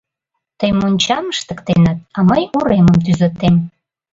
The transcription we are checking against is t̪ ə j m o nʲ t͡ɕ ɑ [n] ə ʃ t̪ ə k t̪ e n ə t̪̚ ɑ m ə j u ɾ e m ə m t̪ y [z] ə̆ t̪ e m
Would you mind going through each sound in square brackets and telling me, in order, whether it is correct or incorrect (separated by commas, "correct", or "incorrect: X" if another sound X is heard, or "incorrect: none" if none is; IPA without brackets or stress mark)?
incorrect: m, correct